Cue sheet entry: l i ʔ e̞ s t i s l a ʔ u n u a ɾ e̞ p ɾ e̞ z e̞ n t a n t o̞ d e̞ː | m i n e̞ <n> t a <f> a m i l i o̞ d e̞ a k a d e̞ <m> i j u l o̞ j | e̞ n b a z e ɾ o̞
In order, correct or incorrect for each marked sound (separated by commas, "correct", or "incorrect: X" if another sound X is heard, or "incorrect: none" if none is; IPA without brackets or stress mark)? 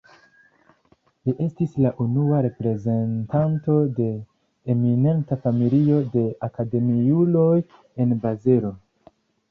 correct, correct, correct